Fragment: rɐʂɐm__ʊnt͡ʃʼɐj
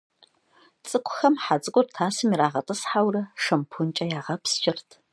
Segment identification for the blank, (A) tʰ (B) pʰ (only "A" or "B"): B